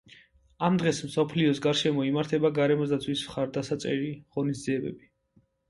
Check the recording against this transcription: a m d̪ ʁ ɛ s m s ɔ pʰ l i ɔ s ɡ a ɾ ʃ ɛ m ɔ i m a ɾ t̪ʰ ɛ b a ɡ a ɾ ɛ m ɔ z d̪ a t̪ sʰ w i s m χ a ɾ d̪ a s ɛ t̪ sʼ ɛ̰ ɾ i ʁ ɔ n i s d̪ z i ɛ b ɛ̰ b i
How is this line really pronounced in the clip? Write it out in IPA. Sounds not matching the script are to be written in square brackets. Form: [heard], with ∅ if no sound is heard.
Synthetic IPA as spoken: a m d̪ ʁ ɛ s m s ɔ pʰ l i ɔ s ɡ a ɾ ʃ ɛ m ɔ i m a ɾ t̪ʰ ɛ b a ɡ a ɾ ɛ m ɔ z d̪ a t̪ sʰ w i s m χ a ɾ d̪ a s [a] t̪ sʼ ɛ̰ ɾ i ʁ ɔ n i s d̪ z i ɛ b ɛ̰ b i